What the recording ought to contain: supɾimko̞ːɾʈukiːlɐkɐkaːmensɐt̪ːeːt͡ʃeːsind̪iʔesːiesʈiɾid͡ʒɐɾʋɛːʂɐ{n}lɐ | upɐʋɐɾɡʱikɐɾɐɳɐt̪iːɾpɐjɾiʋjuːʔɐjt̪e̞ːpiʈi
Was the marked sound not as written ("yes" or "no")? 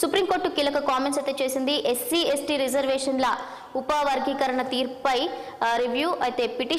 no